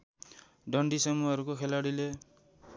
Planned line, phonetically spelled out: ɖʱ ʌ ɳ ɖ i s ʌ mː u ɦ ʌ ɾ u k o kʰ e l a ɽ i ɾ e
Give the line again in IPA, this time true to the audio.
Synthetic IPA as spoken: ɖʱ ʌ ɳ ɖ i s ʌ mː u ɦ ʌ ɾ u k o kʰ e l a ɽ i l e